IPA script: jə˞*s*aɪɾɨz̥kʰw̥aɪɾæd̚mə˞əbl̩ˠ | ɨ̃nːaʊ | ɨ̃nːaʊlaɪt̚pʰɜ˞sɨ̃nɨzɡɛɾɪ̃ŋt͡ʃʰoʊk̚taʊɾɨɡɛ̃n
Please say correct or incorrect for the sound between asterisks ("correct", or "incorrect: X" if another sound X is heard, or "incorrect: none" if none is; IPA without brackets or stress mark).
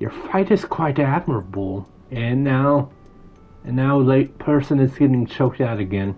incorrect: f